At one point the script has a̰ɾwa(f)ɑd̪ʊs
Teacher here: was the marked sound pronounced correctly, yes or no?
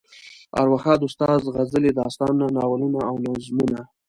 no